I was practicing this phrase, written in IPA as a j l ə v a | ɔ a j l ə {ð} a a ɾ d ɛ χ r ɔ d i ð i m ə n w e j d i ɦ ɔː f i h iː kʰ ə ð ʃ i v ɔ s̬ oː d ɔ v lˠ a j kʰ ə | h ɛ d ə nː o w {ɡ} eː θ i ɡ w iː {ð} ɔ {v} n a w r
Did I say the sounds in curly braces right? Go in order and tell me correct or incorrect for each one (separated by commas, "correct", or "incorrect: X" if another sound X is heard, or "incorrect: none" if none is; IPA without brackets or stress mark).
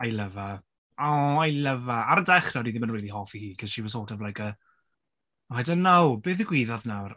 incorrect: v, incorrect: b, correct, incorrect: ð